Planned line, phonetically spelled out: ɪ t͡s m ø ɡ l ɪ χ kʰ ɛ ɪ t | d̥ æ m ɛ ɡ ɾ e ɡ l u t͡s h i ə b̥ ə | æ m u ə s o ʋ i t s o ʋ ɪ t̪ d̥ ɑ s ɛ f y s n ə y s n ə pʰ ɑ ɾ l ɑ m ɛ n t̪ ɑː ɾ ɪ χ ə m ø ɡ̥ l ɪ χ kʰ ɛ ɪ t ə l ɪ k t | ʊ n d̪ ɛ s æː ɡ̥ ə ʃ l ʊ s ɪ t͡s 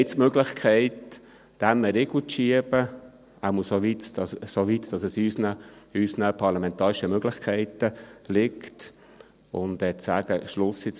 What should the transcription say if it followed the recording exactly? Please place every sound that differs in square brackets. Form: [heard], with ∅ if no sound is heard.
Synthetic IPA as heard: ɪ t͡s m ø ɡ l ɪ χ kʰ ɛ ɪ t | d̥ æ m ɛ [∅] ɾ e ɡ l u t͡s [ʃ] i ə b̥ ə | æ m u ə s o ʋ i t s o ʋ [i] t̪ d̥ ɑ s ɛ [s] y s n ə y s n ə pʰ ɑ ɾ l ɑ m ɛ n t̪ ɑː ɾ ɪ [ʃ] ə m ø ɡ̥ l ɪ χ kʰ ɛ ɪ t ə l ɪ k t | ʊ n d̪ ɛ [t͡s] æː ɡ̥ ə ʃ l ʊ s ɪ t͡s